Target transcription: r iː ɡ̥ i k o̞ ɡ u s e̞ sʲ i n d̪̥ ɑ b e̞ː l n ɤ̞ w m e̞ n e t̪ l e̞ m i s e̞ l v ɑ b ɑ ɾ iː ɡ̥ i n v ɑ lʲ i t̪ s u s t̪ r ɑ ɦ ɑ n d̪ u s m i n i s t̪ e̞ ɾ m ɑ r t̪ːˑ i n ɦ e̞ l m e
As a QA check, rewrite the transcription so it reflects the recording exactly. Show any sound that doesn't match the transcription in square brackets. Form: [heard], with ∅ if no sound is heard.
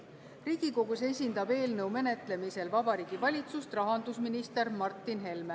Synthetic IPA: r iː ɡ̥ i k o̞ ɡ u s e̞ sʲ i n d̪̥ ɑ b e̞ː l n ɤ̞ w m e̞ n e t̪ l e̞ m i s e̞ l v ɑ b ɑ ɾ iː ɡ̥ i [∅] v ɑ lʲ i t̪ s u s t̪ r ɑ ɦ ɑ n d̪ u s m i n i s t̪ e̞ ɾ m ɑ r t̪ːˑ i n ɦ e̞ l m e